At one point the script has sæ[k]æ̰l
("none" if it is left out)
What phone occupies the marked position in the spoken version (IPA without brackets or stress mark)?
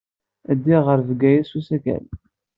k